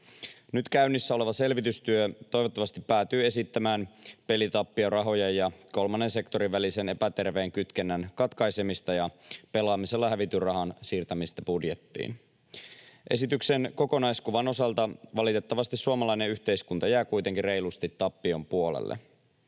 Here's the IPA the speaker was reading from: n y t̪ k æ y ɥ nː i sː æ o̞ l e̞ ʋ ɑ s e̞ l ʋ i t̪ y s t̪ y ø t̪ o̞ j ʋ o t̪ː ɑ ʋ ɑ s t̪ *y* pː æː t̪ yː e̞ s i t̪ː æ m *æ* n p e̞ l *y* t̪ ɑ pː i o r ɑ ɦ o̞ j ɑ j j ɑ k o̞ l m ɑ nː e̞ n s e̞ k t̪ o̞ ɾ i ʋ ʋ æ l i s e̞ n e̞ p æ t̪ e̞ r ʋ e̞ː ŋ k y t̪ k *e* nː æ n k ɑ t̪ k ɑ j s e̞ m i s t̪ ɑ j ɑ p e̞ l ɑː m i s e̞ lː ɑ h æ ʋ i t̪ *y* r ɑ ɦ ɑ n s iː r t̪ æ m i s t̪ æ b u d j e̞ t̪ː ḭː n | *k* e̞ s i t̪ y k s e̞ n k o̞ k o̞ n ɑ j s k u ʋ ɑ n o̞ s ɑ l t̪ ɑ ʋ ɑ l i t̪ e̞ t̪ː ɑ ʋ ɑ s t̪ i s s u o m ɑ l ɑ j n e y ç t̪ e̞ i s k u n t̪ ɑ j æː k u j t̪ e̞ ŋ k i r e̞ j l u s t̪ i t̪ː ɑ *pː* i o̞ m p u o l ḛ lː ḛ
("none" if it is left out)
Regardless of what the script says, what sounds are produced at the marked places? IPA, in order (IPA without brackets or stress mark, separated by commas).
i, æː, i, e, y, ʔ, pː